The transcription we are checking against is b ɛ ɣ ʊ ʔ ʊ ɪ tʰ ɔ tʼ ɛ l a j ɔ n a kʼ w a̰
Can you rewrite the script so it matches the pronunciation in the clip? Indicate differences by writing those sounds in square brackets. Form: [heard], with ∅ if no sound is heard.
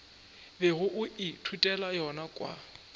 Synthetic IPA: b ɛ ɣ ʊ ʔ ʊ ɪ tʰ [u] tʼ ɛ l a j ɔ n a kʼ w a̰